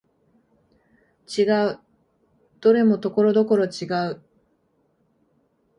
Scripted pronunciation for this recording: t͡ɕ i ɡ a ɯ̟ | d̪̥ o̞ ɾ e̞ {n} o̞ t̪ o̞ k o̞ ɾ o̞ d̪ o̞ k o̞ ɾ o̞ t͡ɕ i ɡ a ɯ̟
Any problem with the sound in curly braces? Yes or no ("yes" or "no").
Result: yes